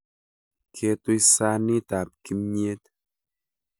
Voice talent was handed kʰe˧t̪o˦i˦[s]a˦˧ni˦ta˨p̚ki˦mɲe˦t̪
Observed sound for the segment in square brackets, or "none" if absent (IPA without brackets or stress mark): s